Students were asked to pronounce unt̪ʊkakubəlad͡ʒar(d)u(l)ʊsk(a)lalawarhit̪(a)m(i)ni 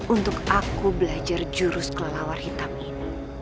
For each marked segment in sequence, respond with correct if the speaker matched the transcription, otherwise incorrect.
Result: incorrect, incorrect, incorrect, correct, correct

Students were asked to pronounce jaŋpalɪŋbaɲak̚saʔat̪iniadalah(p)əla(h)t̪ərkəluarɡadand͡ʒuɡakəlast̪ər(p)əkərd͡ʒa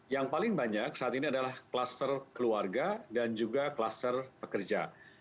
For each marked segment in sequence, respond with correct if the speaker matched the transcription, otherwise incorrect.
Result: incorrect, incorrect, correct

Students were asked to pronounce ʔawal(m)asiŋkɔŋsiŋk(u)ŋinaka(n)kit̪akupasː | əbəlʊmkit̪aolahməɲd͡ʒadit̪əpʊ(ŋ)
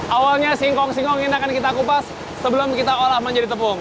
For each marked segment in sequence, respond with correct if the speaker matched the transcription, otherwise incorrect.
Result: incorrect, incorrect, correct, correct

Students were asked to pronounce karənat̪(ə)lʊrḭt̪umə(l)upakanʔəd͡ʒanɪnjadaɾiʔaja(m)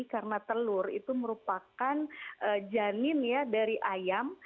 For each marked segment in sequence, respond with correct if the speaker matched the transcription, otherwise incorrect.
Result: correct, incorrect, correct

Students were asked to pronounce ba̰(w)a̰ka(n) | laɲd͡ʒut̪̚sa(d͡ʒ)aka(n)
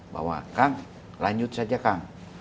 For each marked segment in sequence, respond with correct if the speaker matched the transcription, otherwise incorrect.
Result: correct, incorrect, correct, incorrect

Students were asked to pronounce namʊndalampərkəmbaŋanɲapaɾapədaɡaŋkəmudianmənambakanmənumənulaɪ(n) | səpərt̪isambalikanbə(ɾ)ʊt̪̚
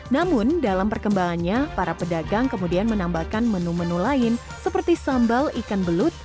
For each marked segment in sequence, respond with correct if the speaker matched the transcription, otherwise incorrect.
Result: correct, incorrect

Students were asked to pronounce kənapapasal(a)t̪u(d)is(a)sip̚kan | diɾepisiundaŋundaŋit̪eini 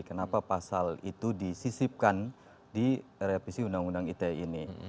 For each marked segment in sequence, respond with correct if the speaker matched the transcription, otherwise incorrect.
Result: incorrect, correct, incorrect

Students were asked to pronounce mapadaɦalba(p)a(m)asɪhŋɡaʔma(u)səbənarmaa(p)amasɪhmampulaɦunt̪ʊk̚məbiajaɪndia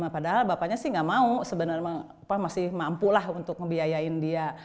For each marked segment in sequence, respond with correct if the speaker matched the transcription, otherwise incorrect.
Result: correct, incorrect, correct, correct

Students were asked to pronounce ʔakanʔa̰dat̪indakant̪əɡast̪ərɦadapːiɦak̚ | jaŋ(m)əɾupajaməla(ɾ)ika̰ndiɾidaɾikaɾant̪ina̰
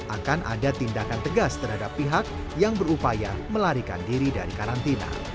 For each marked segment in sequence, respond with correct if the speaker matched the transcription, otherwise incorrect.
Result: incorrect, correct

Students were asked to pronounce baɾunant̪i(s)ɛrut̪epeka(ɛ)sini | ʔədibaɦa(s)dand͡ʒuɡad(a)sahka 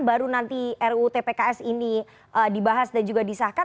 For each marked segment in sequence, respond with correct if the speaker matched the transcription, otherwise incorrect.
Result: incorrect, correct, correct, incorrect

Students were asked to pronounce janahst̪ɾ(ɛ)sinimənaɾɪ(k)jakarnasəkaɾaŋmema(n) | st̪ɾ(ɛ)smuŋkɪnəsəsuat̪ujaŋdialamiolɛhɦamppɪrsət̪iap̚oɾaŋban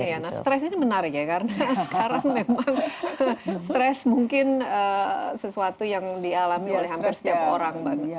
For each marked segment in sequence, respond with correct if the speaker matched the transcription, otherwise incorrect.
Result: correct, correct, incorrect, correct

